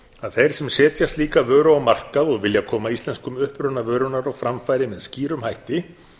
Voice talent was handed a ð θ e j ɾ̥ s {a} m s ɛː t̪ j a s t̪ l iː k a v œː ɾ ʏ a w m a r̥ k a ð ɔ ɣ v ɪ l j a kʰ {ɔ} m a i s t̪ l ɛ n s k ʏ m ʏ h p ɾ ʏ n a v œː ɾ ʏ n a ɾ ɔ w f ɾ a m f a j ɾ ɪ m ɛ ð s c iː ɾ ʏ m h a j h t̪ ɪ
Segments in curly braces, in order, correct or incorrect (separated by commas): incorrect, incorrect